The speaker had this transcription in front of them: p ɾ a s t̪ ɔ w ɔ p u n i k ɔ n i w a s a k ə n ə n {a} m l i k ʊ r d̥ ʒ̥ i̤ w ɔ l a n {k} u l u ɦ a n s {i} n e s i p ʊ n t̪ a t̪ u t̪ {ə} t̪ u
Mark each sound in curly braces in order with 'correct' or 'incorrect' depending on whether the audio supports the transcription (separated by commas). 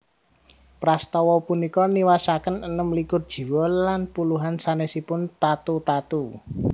incorrect, incorrect, incorrect, incorrect